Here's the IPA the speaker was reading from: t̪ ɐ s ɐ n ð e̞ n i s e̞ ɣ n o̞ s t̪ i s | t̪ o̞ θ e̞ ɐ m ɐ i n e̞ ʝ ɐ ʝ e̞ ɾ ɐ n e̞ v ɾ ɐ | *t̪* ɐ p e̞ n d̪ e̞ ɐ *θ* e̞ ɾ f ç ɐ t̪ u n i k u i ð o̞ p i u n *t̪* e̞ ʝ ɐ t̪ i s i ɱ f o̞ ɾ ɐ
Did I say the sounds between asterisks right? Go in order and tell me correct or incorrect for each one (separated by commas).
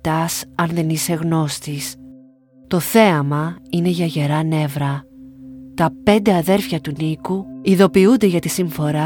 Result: correct, incorrect, incorrect